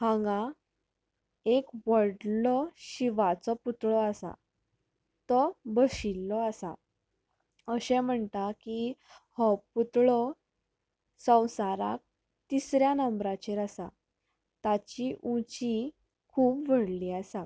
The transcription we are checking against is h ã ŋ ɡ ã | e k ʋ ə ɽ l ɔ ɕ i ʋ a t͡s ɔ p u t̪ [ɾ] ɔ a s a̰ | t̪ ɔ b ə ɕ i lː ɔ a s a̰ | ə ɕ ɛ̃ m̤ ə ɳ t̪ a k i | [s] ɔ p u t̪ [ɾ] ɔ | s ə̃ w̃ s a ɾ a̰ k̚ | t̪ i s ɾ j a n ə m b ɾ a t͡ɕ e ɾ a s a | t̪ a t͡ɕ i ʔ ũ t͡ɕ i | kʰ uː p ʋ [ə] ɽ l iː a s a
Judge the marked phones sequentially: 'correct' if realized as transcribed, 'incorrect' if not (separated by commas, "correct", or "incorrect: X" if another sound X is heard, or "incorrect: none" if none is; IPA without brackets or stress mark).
incorrect: ɭ, incorrect: h, incorrect: ɭ, correct